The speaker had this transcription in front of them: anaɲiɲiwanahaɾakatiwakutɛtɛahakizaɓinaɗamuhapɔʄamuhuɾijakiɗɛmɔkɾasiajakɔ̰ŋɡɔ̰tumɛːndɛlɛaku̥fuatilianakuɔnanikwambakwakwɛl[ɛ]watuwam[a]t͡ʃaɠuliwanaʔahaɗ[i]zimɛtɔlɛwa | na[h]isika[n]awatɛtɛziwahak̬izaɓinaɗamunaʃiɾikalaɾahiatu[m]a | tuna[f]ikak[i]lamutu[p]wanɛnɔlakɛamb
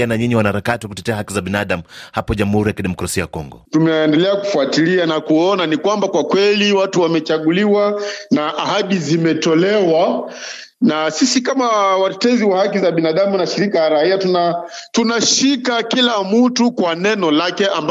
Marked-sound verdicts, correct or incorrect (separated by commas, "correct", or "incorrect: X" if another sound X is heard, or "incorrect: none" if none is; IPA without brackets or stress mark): incorrect: i, incorrect: ɛ, correct, incorrect: s, incorrect: m, incorrect: n, incorrect: ʃ, correct, incorrect: k